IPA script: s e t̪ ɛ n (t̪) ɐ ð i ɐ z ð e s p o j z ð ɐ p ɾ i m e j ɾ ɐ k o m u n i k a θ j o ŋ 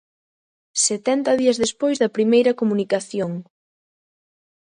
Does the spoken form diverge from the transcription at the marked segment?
no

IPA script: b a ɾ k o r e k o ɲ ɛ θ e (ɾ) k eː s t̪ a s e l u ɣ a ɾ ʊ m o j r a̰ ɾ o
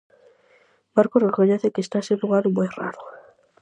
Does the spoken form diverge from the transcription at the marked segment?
yes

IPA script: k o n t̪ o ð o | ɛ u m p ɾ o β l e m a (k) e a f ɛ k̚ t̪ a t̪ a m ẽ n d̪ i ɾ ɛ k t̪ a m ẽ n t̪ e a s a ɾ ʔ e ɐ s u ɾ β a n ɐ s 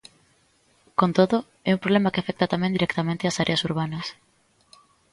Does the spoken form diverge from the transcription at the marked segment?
no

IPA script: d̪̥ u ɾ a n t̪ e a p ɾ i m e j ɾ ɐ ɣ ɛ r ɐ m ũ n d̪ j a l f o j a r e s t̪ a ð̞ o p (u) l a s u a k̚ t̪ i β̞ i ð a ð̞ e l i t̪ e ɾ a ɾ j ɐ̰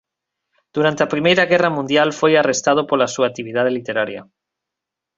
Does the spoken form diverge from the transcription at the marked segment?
yes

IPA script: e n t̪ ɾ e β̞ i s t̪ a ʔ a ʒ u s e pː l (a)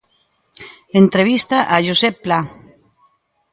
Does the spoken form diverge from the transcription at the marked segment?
no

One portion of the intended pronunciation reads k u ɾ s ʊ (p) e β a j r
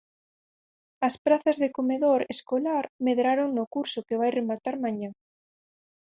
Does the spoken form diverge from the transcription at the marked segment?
yes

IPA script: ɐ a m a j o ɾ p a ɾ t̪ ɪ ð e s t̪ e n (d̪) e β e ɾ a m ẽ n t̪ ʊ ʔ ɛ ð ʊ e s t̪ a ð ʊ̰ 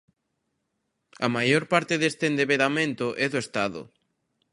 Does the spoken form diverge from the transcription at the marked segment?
no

